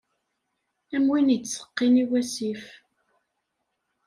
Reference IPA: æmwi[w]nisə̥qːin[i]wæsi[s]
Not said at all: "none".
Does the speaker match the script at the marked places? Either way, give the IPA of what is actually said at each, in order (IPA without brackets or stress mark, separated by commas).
none, i, f